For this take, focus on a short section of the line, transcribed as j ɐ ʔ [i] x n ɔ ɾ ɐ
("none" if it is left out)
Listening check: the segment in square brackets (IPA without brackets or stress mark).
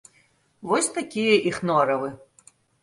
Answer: i